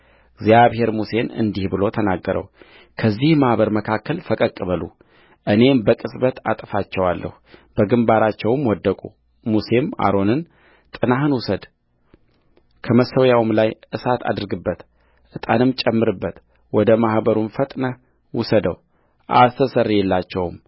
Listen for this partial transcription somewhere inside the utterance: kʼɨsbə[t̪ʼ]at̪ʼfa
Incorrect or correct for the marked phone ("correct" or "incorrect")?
incorrect